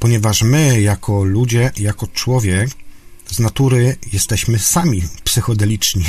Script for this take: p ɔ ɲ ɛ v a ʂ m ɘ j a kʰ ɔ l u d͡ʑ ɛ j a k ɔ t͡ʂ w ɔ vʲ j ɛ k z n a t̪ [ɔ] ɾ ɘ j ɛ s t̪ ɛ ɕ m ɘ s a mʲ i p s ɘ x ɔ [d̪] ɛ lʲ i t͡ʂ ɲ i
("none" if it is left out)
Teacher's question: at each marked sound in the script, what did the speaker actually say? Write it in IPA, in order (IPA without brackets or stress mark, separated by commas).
u, d̪